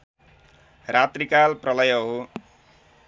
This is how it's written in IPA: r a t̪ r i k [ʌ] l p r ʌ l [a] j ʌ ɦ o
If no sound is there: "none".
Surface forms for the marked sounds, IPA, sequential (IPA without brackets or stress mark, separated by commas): a, ʌ